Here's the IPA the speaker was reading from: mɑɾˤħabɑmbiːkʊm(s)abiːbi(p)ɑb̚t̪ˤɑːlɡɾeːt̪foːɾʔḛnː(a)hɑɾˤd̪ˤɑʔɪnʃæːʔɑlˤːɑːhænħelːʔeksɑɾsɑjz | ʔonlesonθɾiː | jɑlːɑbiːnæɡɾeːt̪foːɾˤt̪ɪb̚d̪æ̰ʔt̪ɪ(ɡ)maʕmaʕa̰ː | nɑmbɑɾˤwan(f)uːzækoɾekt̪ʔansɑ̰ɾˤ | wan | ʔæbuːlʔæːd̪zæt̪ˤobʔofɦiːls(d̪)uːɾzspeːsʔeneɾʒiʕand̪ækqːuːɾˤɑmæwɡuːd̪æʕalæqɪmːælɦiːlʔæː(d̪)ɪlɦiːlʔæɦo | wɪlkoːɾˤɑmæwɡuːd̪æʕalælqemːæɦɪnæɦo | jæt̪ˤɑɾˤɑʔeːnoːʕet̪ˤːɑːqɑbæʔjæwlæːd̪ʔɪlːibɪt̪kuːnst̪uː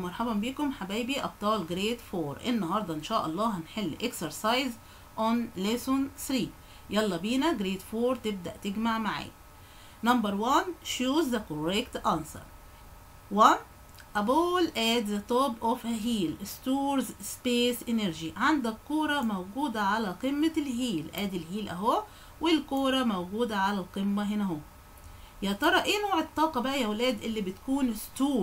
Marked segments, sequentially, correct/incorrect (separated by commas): incorrect, incorrect, incorrect, correct, incorrect, incorrect, correct